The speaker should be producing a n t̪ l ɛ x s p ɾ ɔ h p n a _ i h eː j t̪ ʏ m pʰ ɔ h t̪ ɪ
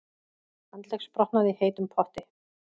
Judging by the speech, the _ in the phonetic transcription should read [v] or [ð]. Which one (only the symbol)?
ð